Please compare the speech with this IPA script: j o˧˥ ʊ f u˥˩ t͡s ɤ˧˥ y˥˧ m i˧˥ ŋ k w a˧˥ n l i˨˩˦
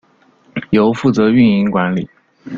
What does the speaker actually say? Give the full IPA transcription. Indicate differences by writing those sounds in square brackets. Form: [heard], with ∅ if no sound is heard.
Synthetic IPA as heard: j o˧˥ ʊ f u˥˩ t͡s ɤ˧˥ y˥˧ [n] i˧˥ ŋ k w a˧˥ n l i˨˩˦